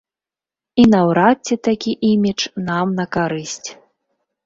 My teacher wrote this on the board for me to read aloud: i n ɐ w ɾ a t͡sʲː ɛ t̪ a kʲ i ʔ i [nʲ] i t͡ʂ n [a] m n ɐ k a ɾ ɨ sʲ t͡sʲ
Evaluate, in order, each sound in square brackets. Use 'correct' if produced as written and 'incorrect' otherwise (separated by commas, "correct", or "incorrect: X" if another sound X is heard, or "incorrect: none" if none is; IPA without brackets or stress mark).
incorrect: mʲ, correct